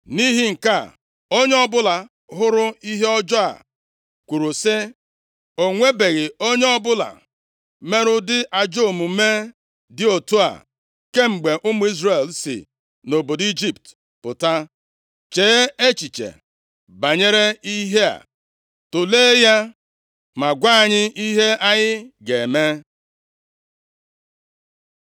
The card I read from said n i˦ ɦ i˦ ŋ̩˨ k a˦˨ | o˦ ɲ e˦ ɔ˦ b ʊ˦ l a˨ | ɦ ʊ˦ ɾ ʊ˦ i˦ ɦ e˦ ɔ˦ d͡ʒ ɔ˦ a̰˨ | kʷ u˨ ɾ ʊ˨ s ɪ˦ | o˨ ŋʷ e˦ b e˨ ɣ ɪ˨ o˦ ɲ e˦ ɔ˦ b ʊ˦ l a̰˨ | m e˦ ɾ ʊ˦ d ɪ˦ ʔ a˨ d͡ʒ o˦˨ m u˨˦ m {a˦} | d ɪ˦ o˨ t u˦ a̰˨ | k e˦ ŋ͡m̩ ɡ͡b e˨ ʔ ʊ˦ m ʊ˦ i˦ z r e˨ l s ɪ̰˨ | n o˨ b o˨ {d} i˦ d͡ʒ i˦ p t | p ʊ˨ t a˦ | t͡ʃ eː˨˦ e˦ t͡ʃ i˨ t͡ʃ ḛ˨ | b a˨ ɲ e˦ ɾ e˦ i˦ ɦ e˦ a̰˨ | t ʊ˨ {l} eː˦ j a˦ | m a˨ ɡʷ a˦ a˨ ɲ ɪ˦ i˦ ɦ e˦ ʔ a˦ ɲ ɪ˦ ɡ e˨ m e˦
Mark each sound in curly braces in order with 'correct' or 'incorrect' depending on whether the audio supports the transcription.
incorrect: e˦, correct, correct

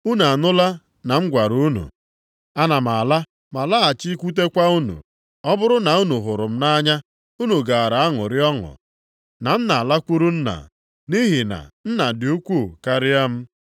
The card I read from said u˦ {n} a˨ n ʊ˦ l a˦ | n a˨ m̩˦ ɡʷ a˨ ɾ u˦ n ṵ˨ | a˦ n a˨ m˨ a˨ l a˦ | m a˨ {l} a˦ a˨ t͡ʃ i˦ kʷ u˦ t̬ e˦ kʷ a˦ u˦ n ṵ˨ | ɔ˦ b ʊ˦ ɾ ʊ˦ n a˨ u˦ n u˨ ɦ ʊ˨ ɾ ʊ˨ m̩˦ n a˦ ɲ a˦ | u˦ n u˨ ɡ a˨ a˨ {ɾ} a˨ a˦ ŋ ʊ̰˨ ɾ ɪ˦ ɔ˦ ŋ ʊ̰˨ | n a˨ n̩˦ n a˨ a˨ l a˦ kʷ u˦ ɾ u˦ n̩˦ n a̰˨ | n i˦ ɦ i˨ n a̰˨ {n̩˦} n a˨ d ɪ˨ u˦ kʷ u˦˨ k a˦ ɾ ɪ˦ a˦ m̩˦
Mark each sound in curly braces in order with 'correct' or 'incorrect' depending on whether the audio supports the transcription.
correct, correct, correct, correct

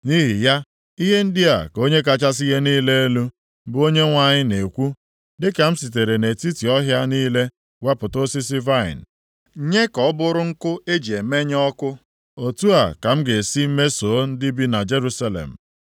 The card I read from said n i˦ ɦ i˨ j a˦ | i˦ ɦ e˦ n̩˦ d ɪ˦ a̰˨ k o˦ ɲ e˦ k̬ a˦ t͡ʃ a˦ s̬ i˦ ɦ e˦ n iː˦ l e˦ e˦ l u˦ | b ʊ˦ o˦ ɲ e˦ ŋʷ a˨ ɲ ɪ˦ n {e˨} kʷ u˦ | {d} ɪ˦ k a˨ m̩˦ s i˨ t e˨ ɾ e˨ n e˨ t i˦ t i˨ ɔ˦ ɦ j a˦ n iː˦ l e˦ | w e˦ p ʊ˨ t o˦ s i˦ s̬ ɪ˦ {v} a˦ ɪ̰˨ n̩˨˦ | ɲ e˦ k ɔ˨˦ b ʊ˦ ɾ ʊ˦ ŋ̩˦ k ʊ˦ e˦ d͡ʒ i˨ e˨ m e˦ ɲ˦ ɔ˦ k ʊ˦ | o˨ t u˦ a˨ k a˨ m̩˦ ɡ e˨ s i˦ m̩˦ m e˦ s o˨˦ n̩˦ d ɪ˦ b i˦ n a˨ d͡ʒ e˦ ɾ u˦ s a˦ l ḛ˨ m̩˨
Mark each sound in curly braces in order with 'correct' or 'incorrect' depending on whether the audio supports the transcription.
correct, correct, correct

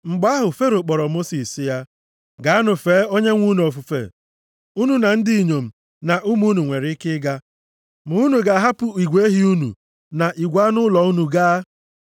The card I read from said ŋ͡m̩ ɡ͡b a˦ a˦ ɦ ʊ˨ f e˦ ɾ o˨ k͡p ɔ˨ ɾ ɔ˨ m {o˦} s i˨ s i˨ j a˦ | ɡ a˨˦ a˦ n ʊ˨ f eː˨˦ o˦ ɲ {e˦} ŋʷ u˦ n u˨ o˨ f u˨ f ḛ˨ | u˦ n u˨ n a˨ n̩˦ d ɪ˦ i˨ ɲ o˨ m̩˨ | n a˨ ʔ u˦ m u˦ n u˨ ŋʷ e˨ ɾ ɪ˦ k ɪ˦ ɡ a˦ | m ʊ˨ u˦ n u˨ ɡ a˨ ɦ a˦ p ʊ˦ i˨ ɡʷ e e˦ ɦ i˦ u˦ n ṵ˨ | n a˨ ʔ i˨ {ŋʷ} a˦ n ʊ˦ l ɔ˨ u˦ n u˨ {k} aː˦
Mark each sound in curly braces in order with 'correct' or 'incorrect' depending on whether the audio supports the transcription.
correct, correct, incorrect: ɡʷ, incorrect: ɡ

